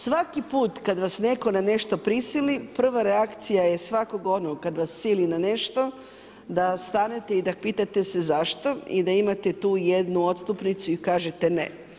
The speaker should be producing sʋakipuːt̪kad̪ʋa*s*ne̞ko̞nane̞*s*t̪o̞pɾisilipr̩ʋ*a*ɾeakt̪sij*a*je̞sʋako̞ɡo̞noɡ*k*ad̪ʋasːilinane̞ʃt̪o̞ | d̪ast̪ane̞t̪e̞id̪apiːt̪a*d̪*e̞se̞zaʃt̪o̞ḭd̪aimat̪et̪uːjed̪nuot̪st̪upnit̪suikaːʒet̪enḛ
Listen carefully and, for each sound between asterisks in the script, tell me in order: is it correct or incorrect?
correct, incorrect: ʃ, correct, correct, correct, incorrect: t̪

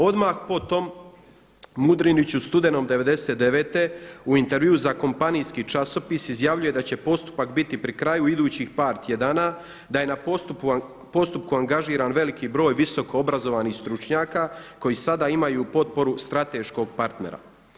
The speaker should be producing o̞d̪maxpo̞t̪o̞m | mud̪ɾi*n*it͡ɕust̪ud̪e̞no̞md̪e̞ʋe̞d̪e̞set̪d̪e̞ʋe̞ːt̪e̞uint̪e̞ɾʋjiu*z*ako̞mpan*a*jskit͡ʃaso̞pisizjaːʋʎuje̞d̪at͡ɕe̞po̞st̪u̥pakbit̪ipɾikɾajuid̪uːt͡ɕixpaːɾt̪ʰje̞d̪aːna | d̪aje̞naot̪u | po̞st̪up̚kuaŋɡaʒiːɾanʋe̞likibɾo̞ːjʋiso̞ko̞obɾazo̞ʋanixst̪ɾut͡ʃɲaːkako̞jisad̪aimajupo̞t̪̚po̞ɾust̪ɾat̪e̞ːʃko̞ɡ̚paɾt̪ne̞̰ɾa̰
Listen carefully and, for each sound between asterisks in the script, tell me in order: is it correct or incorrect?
correct, correct, incorrect: i

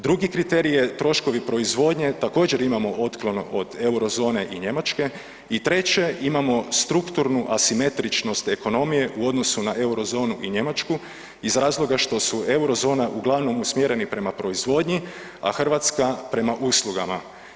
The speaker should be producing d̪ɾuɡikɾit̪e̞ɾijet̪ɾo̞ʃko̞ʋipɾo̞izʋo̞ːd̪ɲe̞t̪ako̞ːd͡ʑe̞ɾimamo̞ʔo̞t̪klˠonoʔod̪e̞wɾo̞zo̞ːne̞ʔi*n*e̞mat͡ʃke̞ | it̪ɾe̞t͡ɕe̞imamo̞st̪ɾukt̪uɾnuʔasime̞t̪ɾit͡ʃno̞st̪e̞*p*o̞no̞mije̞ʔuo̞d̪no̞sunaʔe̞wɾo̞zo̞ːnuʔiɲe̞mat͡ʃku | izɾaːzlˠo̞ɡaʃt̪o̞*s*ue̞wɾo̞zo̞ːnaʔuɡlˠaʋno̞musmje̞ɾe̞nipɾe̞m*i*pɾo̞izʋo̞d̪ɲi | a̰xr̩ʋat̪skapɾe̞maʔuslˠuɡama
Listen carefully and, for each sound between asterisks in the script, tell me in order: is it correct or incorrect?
incorrect: ɲ, incorrect: k, correct, incorrect: a

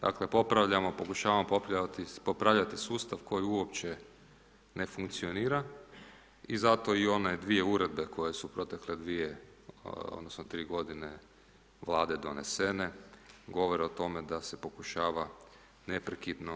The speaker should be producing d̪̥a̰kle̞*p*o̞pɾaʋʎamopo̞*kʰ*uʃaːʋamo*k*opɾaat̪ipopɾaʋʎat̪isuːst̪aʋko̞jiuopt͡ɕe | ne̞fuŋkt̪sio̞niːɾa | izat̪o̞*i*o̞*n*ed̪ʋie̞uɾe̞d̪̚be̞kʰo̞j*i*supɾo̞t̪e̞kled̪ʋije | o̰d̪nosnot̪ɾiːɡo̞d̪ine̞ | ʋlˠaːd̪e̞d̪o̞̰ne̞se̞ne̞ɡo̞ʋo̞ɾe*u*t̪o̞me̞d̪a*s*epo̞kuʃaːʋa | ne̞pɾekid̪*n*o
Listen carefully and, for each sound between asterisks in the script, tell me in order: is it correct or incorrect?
correct, incorrect: k, incorrect: p, correct, correct, incorrect: e, incorrect: o, correct, correct

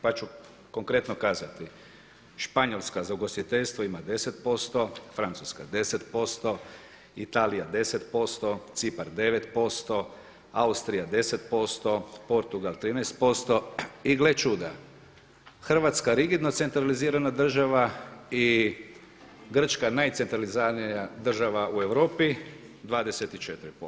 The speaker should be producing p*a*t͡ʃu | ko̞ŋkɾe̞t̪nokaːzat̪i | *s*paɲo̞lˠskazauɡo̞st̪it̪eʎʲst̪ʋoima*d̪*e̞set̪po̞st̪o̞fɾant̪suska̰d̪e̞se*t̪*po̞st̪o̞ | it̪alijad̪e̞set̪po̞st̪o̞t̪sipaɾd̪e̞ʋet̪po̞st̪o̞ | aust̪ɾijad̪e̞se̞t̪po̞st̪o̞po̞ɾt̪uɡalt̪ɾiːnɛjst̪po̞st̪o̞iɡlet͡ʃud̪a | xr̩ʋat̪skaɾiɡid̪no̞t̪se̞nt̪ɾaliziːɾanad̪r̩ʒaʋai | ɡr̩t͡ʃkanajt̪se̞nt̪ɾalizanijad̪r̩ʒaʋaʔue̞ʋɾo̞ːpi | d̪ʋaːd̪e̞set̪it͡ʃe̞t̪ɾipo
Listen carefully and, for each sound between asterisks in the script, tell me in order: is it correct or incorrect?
correct, incorrect: ʃ, correct, correct

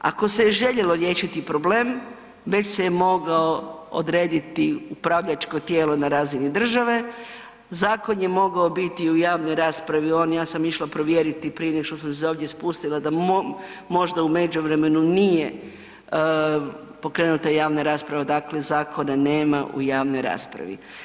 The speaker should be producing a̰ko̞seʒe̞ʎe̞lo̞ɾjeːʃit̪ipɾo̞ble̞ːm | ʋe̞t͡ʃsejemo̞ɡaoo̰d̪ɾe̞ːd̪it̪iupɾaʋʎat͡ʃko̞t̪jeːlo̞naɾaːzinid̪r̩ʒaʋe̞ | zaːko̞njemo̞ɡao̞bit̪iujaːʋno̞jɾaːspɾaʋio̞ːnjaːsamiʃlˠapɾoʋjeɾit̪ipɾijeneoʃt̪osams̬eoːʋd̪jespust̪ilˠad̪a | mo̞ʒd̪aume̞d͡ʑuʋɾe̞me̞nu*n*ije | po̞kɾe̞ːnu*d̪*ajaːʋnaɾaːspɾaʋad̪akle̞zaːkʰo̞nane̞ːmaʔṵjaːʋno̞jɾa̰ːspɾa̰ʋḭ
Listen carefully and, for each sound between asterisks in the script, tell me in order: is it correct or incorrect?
correct, incorrect: t̪

